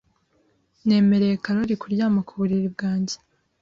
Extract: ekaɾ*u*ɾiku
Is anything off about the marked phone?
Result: yes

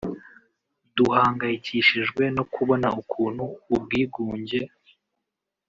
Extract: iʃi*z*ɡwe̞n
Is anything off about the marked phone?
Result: yes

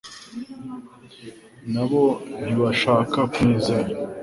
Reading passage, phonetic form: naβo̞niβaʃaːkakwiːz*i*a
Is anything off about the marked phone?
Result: yes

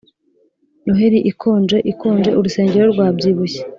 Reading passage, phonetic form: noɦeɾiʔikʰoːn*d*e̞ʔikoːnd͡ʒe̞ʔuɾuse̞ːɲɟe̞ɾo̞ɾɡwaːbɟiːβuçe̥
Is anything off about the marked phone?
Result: yes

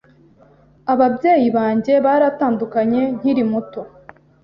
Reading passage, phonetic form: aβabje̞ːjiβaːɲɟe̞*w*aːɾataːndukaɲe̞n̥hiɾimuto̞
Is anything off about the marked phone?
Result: yes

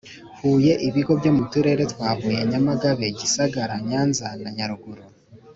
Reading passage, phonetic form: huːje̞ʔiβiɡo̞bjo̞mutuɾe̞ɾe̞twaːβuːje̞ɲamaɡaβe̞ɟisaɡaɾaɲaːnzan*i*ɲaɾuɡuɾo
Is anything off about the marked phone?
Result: yes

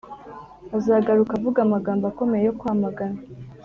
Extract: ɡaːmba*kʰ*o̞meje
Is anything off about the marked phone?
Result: yes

